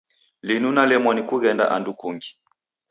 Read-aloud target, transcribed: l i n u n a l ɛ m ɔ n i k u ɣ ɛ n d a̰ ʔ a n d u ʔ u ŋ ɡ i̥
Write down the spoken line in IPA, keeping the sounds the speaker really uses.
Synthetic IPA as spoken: l i n u n a l ɛ m ɔ n i k u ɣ ɛ n d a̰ ʔ a n d u k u ŋ ɡ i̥